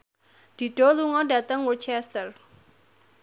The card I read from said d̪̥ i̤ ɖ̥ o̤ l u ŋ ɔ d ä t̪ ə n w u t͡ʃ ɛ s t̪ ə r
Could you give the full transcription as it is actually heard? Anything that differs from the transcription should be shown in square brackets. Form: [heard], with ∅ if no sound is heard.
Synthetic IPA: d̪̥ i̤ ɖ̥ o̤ l u ŋ ɔ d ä t̪ ə [ŋ] w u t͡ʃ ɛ s t̪ ə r